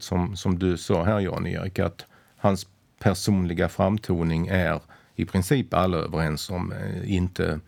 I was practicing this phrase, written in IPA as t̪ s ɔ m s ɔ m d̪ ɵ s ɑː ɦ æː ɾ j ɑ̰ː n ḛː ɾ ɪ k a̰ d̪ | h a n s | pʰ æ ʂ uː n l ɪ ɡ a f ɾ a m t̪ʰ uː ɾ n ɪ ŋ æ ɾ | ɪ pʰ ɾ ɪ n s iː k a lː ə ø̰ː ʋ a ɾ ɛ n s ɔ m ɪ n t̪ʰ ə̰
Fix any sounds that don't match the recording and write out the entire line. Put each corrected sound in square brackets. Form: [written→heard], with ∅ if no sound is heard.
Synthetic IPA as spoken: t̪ s ɔ m s ɔ m d̪ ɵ s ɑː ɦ æː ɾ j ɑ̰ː n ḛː ɾ ɪ k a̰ [d̪→t̪] | h a n s | pʰ æ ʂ uː n l ɪ ɡ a f ɾ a m t̪ʰ uː [ɾ→∅] n ɪ ŋ æ ɾ | ɪ pʰ ɾ ɪ n s iː [k→p] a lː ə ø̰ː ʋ [a→ə] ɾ ɛ n s ɔ m ɪ n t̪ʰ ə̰